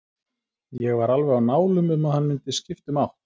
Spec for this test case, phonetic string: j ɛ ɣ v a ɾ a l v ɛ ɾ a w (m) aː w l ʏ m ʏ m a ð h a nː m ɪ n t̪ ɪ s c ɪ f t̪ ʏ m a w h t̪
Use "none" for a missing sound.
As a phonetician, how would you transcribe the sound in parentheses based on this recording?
n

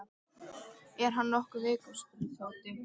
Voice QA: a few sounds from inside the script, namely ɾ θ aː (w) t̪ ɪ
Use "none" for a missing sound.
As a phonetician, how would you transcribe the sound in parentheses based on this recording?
w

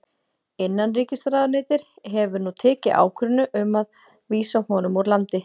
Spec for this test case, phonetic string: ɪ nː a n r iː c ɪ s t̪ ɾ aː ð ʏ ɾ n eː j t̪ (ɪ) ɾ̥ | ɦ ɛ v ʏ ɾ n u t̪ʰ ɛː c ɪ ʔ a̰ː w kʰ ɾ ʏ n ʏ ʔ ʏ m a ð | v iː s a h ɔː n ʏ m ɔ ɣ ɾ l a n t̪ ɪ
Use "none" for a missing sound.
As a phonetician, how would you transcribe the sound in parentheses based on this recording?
ɪ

